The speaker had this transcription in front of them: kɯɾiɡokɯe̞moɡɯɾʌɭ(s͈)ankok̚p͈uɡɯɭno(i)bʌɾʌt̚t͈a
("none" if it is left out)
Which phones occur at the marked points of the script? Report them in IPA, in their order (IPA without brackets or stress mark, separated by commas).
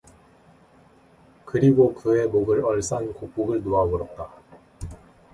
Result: s͈, a